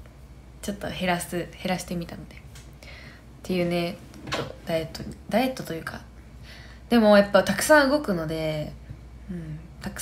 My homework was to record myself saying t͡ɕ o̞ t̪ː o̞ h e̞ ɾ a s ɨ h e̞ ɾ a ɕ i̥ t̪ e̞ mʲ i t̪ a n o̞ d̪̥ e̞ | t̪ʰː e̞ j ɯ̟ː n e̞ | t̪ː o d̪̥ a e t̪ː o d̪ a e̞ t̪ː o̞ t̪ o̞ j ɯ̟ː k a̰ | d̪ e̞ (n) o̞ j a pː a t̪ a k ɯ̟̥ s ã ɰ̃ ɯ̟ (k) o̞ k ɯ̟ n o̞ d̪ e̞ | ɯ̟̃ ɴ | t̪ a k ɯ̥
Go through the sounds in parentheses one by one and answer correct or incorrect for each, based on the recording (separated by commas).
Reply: incorrect, incorrect